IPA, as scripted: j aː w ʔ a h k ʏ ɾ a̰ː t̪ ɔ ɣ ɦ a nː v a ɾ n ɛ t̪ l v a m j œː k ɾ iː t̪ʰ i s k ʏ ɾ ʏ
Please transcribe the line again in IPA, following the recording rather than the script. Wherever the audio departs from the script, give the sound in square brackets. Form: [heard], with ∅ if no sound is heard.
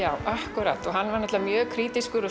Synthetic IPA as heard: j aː w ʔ a h k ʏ ɾ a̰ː t̪ ɔ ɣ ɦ a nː v a ɾ n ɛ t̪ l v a m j œː [kʰ] ɾ iː [t̪] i s k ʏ ɾ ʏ